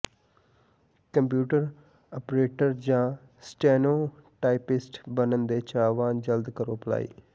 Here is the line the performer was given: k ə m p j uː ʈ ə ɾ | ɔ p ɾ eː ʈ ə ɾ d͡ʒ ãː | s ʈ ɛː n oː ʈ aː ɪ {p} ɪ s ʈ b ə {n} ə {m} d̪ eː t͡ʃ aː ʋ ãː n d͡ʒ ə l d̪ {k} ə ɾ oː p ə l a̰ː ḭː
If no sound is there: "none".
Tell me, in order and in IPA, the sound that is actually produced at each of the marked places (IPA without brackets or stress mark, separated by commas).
p, n, n, k